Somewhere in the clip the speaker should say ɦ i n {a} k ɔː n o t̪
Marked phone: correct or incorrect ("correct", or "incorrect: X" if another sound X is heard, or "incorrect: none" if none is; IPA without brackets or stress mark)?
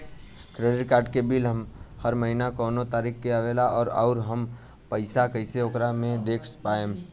correct